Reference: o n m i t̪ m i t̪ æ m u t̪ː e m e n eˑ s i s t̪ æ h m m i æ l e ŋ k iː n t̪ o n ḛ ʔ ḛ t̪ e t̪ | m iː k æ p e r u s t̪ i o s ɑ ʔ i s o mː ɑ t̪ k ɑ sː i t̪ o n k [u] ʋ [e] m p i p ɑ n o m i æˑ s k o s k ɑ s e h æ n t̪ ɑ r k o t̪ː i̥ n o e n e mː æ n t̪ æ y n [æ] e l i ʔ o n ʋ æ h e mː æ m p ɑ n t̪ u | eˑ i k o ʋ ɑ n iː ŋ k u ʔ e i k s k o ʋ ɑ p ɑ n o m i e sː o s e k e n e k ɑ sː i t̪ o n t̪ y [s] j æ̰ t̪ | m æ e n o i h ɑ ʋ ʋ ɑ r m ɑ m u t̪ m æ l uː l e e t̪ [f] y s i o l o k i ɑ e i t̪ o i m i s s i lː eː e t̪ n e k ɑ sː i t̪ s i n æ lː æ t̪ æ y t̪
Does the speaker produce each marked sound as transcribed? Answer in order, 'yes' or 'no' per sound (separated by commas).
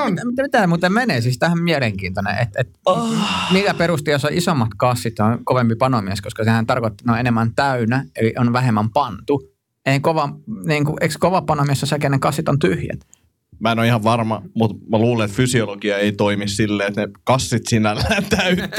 no, yes, yes, no, yes